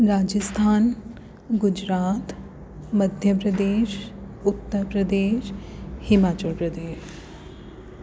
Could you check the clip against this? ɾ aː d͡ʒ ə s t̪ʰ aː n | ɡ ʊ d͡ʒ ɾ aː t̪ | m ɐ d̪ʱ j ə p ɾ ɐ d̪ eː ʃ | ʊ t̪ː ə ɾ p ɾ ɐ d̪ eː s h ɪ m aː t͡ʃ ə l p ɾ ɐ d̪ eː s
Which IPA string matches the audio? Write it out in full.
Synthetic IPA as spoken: ɾ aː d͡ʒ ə s t̪ʰ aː n | ɡ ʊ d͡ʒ ɾ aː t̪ | m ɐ d̪ʱ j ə p ɾ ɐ d̪ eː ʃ | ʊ t̪ː ə ɾ p ɾ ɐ d̪ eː ʃ h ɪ m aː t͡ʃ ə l p ɾ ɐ d̪ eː ʃ